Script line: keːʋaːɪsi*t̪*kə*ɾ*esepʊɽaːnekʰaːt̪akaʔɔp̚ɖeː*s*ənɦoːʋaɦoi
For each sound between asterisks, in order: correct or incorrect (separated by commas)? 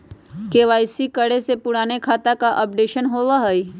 incorrect, incorrect, incorrect